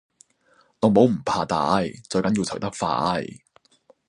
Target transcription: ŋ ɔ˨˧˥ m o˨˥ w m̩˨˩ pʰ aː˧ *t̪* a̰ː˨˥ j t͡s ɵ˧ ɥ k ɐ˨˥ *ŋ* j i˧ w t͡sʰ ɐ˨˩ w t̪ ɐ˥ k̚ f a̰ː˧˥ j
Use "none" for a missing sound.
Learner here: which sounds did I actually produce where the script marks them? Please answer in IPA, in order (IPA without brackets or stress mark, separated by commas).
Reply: t̪, n